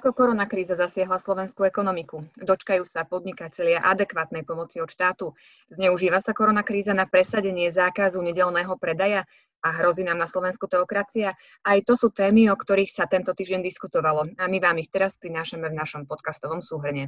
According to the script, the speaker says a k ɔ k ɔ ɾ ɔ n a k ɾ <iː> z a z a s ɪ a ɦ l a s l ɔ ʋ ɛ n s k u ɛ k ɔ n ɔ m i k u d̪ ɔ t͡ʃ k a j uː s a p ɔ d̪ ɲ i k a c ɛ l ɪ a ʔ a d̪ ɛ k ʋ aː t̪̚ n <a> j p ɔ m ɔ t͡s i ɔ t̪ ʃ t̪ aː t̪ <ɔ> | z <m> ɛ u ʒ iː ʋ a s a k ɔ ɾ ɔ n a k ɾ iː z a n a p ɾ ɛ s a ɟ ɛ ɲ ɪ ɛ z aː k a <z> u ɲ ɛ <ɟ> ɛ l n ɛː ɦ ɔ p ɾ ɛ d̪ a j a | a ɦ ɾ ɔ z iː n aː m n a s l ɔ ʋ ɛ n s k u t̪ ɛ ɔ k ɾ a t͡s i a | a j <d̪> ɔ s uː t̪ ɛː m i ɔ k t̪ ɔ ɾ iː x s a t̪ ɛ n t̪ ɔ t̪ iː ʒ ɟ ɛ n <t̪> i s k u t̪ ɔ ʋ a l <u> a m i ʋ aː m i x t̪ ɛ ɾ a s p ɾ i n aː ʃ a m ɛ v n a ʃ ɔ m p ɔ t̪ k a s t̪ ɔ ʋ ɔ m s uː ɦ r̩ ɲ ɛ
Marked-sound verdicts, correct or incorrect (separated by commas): correct, incorrect, incorrect, incorrect, correct, correct, incorrect, incorrect, incorrect